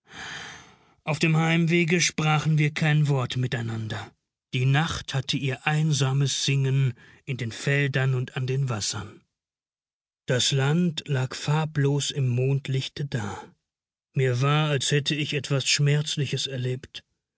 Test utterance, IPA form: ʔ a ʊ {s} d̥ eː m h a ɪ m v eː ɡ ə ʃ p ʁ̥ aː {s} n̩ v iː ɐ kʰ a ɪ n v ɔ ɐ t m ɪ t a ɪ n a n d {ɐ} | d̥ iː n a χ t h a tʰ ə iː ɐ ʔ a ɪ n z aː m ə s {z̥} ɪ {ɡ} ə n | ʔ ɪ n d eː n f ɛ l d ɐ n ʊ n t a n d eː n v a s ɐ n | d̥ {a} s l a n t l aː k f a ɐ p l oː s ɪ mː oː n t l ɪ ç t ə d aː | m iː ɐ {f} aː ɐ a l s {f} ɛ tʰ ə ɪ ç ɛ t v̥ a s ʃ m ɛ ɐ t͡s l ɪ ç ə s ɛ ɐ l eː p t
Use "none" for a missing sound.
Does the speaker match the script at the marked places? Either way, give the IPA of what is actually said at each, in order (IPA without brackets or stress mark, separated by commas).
f, χ, ɐ, z̥, ŋ, a, v, h